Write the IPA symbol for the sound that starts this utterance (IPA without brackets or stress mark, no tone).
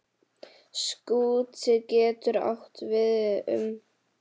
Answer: s